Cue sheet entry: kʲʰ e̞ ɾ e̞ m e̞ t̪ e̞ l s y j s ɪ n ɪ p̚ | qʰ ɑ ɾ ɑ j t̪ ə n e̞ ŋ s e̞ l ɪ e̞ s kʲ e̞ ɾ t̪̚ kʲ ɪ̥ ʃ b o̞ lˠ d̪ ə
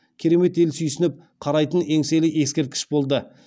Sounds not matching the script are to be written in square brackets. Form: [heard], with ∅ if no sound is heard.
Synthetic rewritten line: kʲʰ e̞ ɾ e̞ m e̞ t̪ e̞ l s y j s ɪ n ɪ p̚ | qʰ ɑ ɾ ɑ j t̪ ə n e̞ ŋ s e̞ l ɪ e̞ s kʲ e̞ ɾ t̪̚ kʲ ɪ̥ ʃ b o̞ lˠ d̪ ə